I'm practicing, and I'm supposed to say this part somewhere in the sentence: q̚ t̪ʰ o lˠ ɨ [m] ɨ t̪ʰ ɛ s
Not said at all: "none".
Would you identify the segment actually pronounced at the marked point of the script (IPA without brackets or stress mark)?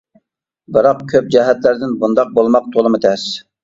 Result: m